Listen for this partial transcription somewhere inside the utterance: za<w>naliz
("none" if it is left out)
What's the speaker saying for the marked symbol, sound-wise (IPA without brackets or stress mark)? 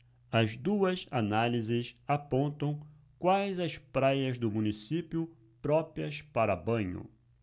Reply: none